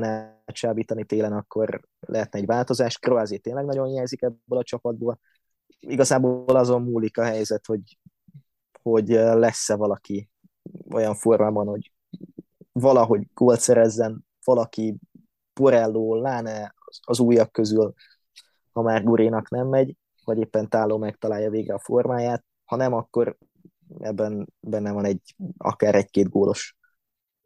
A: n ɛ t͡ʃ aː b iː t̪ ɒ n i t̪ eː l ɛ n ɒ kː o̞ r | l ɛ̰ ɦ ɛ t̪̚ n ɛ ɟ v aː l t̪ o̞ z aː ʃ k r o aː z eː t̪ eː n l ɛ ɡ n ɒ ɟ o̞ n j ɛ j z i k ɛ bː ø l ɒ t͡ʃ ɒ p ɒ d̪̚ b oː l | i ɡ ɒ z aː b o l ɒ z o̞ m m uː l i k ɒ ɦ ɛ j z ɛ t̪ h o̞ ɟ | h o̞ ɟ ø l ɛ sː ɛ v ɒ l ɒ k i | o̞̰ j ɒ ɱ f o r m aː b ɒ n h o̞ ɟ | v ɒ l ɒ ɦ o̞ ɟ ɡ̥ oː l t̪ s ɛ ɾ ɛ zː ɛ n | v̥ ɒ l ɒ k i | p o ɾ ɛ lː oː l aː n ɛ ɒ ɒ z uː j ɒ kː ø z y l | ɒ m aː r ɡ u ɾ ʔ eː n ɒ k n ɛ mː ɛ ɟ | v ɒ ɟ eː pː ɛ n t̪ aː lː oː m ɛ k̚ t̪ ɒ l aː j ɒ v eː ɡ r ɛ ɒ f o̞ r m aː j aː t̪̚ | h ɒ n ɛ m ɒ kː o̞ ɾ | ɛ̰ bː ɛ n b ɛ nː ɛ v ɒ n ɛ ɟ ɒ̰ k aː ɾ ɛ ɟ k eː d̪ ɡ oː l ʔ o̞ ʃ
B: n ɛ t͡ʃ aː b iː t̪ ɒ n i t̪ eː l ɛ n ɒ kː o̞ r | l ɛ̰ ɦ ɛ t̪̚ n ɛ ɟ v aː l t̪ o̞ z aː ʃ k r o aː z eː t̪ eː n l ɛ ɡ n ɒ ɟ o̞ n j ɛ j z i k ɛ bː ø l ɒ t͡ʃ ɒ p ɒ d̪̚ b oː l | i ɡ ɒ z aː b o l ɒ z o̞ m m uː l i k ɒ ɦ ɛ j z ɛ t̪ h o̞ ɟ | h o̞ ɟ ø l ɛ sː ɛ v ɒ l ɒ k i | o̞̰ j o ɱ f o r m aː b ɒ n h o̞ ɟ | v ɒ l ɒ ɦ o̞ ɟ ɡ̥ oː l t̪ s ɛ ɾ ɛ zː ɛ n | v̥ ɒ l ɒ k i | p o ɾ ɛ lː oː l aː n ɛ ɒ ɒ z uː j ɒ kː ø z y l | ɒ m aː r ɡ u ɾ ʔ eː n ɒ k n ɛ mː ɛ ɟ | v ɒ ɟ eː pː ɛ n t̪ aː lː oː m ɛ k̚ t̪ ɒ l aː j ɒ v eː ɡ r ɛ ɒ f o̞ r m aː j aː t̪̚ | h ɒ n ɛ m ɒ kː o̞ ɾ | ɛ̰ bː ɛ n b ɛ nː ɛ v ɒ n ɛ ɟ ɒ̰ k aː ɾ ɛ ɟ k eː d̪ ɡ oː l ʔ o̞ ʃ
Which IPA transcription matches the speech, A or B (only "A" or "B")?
A